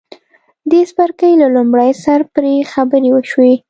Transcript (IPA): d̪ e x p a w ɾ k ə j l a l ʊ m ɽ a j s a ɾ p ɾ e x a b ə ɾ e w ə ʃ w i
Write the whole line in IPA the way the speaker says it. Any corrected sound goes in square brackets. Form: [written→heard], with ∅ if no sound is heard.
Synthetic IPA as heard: d̪ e [x→s] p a [w→∅] ɾ k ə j l a l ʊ m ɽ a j s a ɾ p ɾ e x a b ə ɾ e w ə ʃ w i

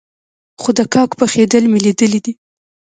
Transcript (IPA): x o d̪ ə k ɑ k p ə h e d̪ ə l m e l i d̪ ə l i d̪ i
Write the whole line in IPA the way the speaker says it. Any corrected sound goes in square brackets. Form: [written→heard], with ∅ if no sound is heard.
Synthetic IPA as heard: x o d̪ ə k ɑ k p ə [h→x] e d̪ ə l m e l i d̪ ə l i d̪ i

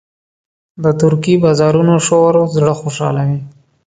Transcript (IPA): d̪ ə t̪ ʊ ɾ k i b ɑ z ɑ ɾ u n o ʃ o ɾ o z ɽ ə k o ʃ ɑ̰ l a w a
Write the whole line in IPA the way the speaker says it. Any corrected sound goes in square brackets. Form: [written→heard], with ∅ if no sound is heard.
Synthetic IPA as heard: d̪ ə t̪ ʊ ɾ k i b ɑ z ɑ ɾ u n o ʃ o ɾ o z ɽ ə [k→x] o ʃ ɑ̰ l a w [a→i]

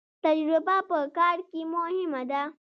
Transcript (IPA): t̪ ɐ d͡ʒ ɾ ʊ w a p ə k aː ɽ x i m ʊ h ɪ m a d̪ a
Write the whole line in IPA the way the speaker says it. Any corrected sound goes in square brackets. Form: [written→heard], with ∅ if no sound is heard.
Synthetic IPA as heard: t̪ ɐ d͡ʒ ɾ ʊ [w→b] a p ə k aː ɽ [x→k] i m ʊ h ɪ m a d̪ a

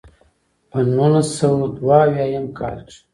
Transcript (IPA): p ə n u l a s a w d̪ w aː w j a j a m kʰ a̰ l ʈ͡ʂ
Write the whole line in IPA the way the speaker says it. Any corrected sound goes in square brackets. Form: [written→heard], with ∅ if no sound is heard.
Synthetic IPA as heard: p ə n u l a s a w d̪ w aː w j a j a m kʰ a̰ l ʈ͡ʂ

